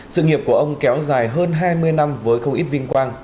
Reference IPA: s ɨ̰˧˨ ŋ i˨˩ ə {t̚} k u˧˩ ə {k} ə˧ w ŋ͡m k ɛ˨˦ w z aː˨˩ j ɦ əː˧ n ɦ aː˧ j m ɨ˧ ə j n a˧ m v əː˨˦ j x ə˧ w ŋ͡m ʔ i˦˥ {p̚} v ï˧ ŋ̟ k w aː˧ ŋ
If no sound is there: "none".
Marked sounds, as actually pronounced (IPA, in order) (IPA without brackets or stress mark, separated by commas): p̚, ʔ, t̚